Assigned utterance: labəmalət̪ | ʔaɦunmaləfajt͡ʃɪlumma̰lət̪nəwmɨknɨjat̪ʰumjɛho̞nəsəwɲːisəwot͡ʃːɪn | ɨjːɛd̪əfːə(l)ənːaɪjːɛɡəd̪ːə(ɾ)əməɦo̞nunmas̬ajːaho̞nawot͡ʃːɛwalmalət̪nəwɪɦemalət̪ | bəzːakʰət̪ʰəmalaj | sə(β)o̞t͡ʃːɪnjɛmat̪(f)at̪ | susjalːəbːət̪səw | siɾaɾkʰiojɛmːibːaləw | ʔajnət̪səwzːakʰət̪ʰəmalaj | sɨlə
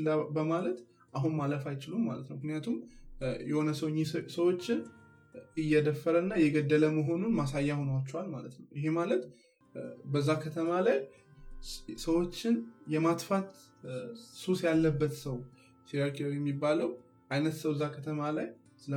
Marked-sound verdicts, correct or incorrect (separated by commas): incorrect, incorrect, incorrect, correct